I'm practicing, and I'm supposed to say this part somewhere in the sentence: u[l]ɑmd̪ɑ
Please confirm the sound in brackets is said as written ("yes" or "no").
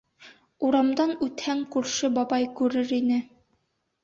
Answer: no